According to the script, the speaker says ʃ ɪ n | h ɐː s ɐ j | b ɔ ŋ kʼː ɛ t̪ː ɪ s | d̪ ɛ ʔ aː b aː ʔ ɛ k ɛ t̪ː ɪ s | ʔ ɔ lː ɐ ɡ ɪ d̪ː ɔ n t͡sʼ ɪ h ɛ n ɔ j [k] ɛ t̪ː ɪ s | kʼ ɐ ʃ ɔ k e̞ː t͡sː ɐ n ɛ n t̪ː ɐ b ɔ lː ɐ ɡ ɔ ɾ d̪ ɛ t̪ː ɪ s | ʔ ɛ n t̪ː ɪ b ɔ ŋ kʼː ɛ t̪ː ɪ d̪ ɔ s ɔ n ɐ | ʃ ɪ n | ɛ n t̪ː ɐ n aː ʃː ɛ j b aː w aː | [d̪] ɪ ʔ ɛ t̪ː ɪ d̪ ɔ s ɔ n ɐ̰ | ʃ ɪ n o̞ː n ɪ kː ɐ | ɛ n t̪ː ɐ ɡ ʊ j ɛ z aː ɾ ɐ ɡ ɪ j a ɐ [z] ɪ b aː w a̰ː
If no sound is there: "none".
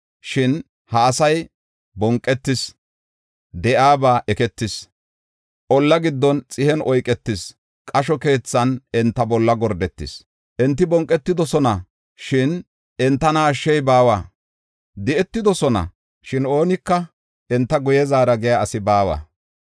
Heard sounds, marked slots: kʼ, d̪, s

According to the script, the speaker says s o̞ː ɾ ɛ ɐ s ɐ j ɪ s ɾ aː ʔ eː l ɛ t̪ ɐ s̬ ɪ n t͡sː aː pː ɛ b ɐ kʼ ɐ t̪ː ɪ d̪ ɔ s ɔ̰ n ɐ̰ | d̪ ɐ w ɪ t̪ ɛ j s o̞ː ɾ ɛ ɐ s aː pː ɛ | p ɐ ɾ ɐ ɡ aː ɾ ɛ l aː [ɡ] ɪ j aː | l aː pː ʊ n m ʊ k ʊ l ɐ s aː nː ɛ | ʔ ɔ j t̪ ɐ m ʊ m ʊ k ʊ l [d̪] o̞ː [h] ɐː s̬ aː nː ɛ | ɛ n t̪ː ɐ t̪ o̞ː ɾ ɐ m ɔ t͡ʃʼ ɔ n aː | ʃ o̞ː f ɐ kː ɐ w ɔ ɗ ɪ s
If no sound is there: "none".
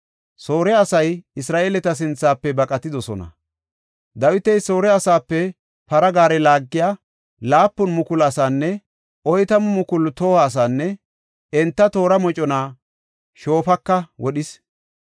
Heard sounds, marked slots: ɡː, t̪, h

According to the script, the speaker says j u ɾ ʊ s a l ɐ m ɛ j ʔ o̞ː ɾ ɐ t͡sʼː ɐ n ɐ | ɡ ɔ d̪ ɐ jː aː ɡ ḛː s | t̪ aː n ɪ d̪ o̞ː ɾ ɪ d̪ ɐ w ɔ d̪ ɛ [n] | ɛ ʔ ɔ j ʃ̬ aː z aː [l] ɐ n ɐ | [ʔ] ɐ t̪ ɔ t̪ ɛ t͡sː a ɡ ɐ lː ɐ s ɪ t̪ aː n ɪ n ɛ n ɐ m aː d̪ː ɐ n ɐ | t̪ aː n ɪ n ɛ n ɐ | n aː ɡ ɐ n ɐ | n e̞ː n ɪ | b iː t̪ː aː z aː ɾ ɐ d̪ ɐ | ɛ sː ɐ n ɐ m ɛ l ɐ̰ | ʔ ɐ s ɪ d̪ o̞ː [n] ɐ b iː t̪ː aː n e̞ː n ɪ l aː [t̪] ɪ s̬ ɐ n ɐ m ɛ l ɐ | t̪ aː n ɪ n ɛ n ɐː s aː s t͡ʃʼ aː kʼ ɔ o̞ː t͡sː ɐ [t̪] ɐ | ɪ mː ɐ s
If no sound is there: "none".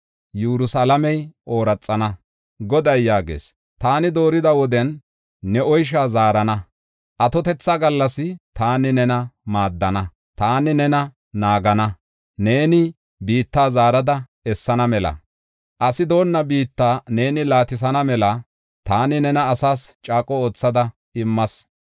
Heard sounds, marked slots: nː, ɾ, ʔ, nː, t̪, d̪

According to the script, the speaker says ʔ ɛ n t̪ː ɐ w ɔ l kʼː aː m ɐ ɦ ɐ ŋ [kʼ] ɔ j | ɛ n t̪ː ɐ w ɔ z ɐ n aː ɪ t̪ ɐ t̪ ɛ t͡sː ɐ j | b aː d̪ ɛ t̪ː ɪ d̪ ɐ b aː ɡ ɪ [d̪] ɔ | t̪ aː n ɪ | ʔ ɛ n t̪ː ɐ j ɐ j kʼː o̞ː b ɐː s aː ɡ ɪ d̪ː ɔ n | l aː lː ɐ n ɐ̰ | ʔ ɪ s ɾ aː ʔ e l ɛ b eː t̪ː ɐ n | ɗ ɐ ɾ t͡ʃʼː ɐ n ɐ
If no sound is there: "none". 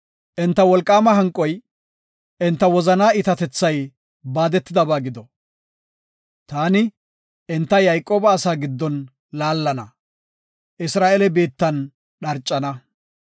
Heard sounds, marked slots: kʼ, d̪

